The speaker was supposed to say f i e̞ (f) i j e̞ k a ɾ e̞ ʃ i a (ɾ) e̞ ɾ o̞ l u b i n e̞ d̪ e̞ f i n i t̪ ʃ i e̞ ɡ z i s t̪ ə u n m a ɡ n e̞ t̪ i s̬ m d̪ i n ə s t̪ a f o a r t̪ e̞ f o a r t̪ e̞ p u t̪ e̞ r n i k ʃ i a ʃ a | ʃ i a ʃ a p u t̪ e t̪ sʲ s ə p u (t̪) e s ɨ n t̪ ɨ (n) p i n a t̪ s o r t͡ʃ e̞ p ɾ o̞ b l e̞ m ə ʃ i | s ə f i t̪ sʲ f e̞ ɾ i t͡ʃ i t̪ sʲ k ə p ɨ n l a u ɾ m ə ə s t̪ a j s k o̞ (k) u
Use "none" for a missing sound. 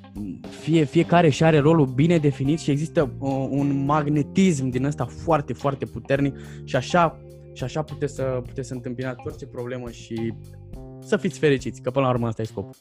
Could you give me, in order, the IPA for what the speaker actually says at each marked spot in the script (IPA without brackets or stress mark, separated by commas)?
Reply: f, ɾ, t̪, m, p